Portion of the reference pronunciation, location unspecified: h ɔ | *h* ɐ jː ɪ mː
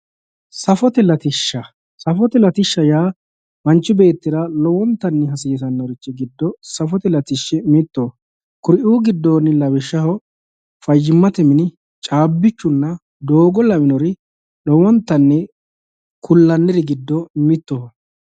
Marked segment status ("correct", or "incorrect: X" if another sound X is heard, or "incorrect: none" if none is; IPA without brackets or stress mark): incorrect: f